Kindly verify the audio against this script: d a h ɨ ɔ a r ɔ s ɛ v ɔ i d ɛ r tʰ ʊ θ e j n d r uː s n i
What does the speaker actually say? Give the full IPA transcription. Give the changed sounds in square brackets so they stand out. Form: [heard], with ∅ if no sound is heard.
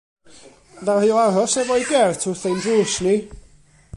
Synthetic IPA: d a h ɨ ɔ a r ɔ s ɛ v ɔ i [ɡ] ɛ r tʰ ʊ θ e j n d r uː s n i